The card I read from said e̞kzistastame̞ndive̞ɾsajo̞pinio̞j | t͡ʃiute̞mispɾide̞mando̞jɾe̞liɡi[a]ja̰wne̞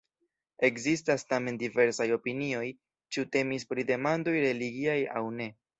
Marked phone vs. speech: correct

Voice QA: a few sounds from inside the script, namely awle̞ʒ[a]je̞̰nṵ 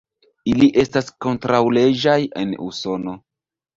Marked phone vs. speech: correct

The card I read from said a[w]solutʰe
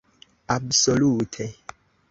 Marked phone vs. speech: incorrect: b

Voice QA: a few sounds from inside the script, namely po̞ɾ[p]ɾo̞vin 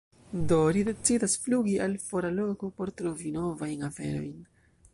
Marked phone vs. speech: incorrect: t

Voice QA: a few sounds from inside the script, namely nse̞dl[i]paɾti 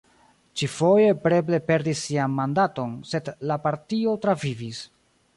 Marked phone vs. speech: incorrect: a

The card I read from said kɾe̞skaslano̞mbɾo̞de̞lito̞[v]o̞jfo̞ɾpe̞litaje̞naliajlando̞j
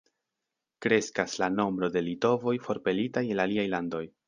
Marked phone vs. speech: correct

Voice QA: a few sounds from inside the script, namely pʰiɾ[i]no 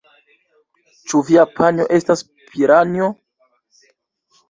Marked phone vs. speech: incorrect: a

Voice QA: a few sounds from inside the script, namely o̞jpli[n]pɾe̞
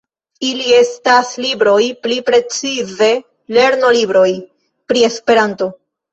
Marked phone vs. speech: incorrect: none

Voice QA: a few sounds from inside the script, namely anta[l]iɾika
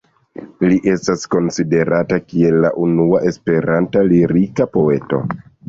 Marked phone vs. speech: correct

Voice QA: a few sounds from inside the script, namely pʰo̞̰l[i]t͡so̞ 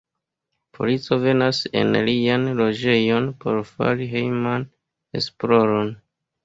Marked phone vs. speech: correct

